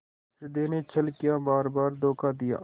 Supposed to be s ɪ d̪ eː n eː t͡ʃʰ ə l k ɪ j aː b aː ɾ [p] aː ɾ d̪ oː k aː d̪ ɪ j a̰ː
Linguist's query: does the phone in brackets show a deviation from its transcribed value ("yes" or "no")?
yes